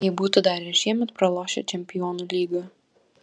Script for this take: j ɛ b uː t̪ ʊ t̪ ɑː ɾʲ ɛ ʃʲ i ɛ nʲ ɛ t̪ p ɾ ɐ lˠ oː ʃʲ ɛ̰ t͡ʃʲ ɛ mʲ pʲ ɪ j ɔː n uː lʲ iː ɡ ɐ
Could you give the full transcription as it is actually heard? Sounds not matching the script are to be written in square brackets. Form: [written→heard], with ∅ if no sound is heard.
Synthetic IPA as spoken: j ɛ b uː t̪ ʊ [t̪→d̪] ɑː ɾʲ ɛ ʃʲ i ɛ [nʲ→mʲ] ɛ t̪ p ɾ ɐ lˠ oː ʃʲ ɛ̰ t͡ʃʲ ɛ mʲ pʲ ɪ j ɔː n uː lʲ iː ɡ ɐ